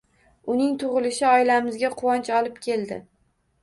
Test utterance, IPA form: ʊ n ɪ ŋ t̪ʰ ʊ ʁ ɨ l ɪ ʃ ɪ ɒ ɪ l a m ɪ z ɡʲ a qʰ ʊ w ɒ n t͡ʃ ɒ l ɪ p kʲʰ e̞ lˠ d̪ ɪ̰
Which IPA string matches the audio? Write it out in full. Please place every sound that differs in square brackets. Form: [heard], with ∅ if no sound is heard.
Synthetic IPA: ʊ n ɪ ŋ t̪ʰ ʊ ʁ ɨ l ɪ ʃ ɪ ɒ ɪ l a m ɪ z ɡʲ a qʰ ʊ w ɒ n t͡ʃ ɒ l ɪ p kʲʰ e̞ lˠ d̪ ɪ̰